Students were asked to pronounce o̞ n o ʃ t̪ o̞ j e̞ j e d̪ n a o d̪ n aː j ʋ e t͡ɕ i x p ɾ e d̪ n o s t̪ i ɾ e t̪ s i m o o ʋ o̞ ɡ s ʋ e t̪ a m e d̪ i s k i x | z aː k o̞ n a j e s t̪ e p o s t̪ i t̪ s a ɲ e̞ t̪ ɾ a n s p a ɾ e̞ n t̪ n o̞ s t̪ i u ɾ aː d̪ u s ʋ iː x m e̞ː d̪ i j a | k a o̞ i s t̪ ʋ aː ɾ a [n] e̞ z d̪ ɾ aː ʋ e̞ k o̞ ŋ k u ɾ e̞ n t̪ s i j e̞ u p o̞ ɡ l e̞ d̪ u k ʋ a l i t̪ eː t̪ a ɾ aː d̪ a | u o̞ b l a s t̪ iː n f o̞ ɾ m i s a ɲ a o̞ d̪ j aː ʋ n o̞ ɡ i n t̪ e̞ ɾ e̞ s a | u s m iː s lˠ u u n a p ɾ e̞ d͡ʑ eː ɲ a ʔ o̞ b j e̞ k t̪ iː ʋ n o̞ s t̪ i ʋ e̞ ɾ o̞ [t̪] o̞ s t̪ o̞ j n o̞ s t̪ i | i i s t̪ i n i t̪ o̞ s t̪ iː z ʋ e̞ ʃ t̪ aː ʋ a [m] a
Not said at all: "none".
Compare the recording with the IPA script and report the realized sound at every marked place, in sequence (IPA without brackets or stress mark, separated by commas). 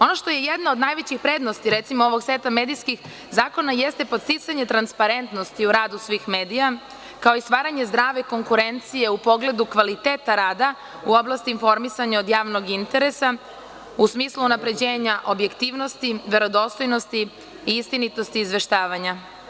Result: ɲ, d̪, ɲ